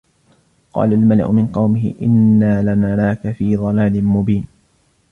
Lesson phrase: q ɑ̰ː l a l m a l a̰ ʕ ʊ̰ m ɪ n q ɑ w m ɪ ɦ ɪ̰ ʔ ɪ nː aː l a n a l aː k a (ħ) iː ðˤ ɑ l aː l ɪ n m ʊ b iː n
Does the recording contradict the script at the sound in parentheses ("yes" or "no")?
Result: yes